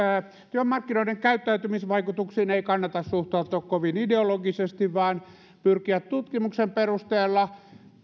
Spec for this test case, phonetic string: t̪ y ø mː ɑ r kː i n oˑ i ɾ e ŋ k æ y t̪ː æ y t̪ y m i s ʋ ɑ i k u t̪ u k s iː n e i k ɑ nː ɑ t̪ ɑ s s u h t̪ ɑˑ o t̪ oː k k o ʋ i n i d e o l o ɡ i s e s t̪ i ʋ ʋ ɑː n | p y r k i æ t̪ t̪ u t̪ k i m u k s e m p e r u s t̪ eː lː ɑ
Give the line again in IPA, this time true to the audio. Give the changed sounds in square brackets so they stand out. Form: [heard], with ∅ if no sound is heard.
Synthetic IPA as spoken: t̪ y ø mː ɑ r kː i n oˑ i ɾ e ŋ k æ y t̪ː æ y t̪ y m i s ʋ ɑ i k u t̪ u k s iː n e i k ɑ nː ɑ t̪ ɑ s s u h t̪ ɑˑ [u] t̪ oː k k o ʋ i n i d e o l o ɡ i s e s t̪ i ʋ ʋ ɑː n | p y r k i æ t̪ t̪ u t̪ k i m u k s e m p e r u s t̪ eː lː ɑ